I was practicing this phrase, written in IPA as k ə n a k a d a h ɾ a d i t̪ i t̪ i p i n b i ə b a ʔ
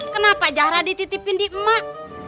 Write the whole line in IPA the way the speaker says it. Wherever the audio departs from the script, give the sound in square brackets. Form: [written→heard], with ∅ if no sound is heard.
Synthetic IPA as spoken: k ə n a [k→p] a [d→d͡ʒ] a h ɾ a d i t̪ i t̪ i p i n [b→d] i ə [b→m] a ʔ